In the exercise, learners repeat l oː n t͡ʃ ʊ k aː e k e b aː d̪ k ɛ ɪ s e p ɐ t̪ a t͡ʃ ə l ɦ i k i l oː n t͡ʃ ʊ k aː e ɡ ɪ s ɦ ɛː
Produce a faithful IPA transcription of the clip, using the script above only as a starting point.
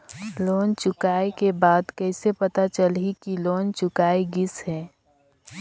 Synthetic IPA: l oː n t͡ʃ ʊ k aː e k e b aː d̪ k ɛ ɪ s e p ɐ t̪ a t͡ʃ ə l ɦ i k i l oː n t͡ʃ ʊ k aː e ɡ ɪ s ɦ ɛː